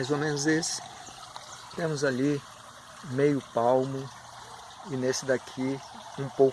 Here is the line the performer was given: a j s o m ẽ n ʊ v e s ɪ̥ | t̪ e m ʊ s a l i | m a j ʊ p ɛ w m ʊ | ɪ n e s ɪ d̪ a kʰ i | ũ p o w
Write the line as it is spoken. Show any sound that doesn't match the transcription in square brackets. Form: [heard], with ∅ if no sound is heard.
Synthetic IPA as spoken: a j [z] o m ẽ n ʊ [z] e s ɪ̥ | t̪ [ẽ] m ʊ [z] a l i | m [e] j ʊ p [a] w m ʊ | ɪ n e s ɪ d̪ a kʰ i | ũ p o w